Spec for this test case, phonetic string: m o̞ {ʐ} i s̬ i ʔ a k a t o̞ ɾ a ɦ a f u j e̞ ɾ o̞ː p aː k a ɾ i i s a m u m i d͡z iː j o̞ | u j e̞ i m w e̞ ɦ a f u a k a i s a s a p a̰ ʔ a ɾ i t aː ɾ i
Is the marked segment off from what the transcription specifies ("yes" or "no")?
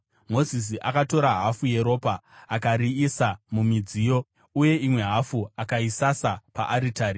yes